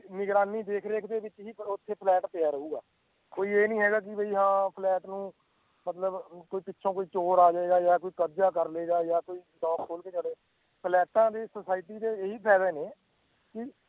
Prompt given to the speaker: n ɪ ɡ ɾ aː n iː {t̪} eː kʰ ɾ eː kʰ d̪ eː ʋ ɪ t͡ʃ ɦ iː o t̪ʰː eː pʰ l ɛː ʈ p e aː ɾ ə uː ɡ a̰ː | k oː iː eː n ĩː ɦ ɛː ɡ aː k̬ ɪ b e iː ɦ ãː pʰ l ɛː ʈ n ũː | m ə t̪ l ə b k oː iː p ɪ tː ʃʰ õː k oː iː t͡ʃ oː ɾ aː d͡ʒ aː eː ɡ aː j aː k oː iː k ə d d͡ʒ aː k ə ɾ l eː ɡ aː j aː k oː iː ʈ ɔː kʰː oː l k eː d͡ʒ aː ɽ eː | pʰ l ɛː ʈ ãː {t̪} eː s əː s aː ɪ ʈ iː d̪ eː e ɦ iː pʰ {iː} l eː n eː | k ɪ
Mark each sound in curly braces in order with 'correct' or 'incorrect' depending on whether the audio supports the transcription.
incorrect, incorrect, incorrect

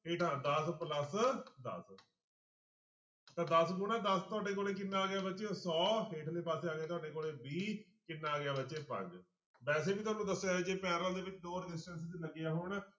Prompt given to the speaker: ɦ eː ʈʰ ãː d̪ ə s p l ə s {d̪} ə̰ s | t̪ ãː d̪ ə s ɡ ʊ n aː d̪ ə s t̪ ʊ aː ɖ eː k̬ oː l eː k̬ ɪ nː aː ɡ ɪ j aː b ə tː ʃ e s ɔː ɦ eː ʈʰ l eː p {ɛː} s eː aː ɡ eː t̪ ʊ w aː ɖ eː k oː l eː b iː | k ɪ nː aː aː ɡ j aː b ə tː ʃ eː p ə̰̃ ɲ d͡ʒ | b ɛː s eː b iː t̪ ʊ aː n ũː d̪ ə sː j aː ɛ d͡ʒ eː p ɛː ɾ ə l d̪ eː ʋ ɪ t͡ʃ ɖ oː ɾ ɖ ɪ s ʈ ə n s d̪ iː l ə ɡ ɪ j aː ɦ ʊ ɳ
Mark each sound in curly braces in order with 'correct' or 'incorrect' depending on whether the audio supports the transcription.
correct, incorrect

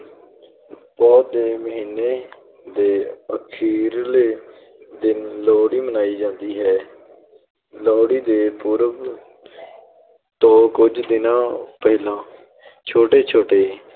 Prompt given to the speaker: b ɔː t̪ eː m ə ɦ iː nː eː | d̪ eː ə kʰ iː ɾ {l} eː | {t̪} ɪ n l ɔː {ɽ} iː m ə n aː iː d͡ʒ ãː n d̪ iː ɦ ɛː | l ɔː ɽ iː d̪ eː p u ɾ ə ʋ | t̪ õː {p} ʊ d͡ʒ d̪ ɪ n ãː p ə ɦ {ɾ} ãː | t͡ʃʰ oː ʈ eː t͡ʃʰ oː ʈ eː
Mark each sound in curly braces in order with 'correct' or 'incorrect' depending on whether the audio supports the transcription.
correct, incorrect, correct, incorrect, incorrect

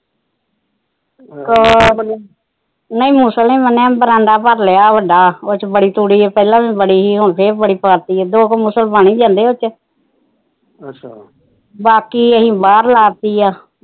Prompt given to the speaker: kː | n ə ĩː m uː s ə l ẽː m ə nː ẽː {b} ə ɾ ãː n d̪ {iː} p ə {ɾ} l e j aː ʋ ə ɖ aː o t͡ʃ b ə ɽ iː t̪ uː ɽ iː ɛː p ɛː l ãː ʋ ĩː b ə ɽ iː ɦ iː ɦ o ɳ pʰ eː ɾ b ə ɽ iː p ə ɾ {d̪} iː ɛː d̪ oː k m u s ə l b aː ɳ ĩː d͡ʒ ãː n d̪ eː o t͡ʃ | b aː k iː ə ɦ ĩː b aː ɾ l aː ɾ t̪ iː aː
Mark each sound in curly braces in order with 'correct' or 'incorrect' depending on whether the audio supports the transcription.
correct, incorrect, correct, incorrect

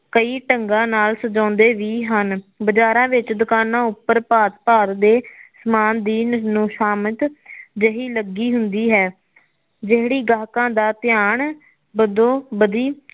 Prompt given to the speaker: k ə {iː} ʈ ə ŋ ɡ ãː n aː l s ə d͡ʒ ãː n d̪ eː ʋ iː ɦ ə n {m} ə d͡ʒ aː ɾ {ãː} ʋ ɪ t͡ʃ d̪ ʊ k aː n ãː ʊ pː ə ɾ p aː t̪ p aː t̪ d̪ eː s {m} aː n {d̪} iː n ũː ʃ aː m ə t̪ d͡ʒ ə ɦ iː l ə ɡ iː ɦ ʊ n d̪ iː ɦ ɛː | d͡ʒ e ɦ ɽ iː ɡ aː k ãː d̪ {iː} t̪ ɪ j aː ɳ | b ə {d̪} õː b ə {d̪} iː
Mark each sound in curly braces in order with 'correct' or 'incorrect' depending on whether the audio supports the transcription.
correct, incorrect, correct, correct, correct, incorrect, correct, correct

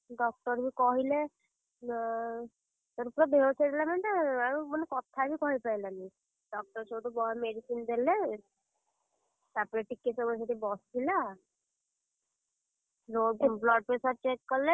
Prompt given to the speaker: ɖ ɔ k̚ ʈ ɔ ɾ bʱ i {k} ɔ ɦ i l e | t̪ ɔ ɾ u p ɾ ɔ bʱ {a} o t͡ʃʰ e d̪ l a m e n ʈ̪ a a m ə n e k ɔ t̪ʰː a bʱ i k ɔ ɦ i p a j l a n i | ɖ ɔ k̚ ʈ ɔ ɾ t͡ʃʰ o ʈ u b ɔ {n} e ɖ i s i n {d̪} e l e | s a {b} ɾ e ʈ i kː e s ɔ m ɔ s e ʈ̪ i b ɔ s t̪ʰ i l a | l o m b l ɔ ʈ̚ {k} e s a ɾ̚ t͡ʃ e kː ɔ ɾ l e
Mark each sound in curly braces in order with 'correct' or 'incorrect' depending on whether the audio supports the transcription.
correct, incorrect, incorrect, correct, incorrect, incorrect

